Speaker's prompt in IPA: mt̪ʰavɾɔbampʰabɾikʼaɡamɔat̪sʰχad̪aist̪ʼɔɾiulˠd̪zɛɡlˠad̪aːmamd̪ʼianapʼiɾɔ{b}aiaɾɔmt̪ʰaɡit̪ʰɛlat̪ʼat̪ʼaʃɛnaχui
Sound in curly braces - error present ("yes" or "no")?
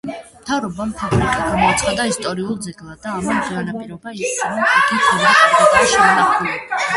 no